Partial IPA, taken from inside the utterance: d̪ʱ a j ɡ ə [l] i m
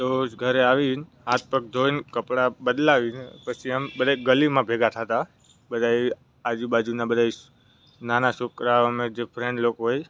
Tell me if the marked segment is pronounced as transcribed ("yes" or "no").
yes